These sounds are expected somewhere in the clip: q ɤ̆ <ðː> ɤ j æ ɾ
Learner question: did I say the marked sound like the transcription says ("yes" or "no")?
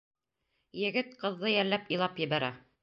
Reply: yes